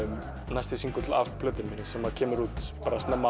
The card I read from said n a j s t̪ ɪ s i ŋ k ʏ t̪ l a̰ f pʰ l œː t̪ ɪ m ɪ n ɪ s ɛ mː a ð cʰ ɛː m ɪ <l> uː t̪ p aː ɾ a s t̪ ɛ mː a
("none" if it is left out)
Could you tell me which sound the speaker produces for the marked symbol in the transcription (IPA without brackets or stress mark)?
ɾ